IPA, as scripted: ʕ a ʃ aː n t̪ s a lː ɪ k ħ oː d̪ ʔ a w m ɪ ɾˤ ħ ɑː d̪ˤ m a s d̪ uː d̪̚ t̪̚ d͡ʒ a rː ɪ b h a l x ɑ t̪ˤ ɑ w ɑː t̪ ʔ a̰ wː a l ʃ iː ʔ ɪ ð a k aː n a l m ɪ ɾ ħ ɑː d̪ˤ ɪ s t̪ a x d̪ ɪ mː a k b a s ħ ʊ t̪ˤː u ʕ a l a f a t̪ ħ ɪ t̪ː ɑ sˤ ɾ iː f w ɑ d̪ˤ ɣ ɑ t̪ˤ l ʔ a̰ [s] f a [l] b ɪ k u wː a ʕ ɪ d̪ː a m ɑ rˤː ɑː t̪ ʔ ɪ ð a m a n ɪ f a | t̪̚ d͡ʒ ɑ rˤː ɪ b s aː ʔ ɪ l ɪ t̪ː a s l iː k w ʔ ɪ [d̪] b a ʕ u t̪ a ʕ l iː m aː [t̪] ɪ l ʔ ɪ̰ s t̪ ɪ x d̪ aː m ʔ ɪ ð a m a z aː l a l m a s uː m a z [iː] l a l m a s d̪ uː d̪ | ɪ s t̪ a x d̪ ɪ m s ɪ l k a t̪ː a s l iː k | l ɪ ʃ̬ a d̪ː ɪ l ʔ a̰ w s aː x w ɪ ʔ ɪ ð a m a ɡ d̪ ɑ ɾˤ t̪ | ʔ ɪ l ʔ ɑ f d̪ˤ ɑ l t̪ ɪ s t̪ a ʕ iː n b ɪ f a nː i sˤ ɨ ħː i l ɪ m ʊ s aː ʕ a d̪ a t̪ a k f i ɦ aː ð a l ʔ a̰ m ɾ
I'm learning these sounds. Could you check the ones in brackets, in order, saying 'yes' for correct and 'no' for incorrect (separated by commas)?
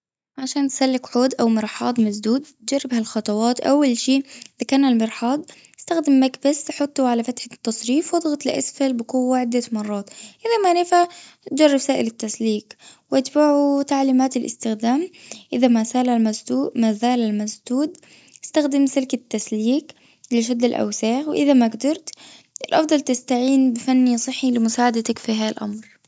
yes, yes, no, yes, no